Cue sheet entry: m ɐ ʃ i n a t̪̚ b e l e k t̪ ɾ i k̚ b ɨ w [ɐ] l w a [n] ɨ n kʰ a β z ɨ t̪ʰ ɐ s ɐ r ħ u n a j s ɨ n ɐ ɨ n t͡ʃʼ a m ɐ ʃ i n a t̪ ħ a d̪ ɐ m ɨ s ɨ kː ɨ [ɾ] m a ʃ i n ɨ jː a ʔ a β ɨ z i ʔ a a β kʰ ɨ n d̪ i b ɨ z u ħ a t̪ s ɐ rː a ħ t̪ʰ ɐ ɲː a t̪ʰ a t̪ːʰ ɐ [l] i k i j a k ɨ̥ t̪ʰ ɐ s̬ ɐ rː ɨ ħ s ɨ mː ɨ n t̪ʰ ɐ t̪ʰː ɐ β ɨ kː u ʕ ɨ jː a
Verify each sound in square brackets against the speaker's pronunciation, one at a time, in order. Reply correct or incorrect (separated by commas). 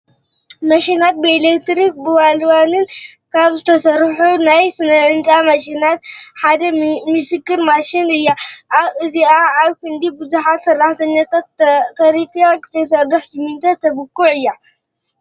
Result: incorrect, correct, correct, incorrect